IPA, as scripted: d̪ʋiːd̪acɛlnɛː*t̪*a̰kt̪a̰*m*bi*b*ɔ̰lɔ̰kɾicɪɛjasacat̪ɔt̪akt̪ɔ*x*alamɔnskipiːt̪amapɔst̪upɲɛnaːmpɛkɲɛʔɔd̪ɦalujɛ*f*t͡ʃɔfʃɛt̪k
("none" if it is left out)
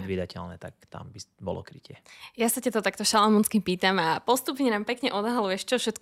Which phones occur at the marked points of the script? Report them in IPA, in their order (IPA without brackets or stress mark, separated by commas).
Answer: t̪, m, b, ʃ, ʃ